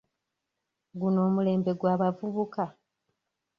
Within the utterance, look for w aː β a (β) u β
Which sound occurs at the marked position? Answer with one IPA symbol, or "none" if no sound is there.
v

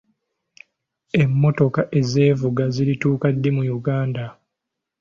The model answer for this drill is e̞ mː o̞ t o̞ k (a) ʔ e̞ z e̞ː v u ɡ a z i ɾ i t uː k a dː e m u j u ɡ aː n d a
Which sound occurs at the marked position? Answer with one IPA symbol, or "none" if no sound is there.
a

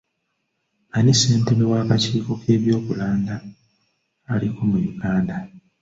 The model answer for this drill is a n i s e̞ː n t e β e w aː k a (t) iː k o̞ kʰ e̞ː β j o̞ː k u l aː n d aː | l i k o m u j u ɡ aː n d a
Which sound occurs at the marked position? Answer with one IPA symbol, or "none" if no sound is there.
c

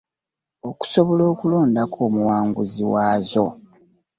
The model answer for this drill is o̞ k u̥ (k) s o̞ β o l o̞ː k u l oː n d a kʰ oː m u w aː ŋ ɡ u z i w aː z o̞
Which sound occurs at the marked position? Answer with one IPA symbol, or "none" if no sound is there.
none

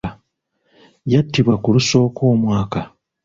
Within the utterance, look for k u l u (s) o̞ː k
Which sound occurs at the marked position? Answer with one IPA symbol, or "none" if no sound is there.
s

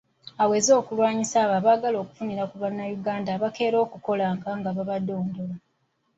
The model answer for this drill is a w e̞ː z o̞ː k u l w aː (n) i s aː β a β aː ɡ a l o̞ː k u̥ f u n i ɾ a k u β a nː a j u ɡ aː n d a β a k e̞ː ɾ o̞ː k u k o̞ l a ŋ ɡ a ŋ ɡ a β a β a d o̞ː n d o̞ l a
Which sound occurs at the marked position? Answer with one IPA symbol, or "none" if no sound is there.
ɲ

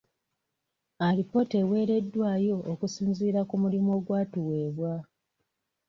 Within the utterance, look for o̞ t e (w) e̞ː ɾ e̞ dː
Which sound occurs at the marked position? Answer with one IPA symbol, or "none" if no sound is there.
w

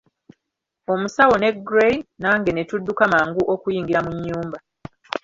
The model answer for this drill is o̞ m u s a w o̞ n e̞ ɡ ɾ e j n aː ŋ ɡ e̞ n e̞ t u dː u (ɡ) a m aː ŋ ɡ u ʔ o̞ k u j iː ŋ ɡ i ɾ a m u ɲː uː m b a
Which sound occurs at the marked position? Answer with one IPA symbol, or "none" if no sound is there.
k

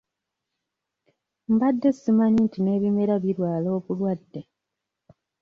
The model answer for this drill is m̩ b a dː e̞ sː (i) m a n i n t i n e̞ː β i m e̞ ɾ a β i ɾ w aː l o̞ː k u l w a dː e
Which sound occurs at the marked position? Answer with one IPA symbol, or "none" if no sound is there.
i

